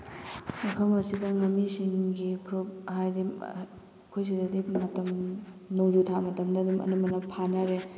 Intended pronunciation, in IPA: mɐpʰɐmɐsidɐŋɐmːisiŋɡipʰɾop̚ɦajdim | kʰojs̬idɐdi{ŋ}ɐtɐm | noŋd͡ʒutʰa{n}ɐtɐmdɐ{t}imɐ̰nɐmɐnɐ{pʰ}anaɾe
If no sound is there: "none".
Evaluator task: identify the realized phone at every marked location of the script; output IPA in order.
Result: m, m, d, pʰ

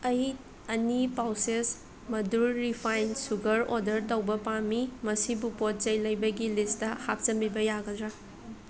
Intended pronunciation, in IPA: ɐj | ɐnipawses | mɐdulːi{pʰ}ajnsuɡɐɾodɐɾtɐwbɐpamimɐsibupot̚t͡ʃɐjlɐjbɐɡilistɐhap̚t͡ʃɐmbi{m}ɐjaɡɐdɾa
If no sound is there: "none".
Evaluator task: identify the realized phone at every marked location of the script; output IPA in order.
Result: pʰ, b

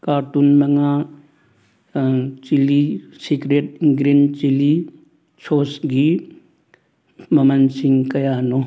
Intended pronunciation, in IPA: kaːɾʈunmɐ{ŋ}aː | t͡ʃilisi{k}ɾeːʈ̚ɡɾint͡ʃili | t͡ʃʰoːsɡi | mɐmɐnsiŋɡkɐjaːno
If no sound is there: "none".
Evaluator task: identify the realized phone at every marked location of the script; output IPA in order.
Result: ŋ, k

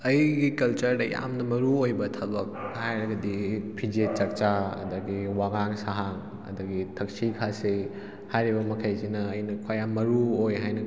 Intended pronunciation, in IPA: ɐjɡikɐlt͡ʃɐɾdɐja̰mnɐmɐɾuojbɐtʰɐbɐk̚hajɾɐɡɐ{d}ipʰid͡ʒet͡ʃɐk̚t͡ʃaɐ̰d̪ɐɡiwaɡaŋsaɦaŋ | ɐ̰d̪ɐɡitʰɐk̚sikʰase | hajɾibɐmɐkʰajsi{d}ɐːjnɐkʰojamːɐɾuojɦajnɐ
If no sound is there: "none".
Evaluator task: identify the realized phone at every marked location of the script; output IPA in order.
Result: d, n

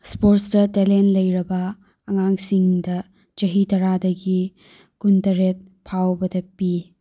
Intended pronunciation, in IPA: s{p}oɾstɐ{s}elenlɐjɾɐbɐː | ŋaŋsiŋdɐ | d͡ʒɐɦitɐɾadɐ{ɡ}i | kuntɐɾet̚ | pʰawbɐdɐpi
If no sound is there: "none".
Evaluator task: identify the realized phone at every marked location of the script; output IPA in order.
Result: p, t, ɡ

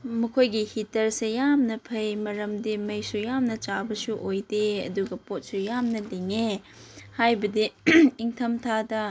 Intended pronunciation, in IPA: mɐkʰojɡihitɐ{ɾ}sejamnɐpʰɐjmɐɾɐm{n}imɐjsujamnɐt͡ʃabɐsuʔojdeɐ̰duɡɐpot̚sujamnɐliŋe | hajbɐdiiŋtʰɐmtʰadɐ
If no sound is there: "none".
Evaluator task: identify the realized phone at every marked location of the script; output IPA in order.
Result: ɾ, d

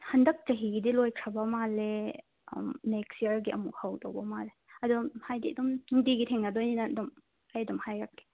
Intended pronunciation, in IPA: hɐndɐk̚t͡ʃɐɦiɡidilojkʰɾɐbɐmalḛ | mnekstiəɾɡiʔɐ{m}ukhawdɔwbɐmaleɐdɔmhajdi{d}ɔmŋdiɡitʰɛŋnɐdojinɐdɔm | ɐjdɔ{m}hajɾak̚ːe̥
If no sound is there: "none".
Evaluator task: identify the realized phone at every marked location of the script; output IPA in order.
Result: m, d, m

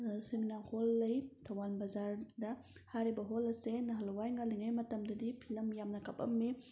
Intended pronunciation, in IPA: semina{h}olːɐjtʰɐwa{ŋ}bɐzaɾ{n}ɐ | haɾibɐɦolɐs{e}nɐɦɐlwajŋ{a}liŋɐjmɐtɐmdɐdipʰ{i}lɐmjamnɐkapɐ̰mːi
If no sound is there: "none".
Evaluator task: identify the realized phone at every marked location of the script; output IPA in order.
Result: h, n, d, e, a, i

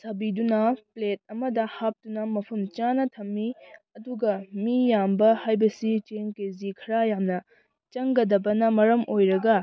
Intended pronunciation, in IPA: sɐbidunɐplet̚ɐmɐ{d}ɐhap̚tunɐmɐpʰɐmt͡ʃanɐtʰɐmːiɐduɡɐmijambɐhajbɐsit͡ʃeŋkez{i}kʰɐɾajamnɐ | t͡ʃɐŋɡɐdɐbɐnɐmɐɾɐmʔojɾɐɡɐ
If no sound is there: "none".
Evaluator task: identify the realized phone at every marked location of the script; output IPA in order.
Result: d, i

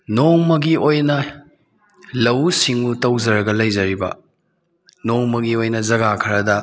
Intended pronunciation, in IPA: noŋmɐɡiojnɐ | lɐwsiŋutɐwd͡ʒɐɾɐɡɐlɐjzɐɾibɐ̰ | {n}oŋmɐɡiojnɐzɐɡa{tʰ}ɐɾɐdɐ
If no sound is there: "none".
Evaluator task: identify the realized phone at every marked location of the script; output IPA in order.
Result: n, kʰ

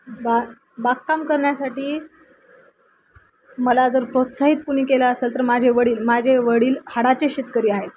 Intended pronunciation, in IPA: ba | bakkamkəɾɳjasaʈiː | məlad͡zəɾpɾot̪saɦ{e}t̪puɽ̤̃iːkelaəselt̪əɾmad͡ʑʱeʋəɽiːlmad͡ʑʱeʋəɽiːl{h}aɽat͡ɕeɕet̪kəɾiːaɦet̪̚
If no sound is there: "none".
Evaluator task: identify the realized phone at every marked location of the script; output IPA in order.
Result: i, h

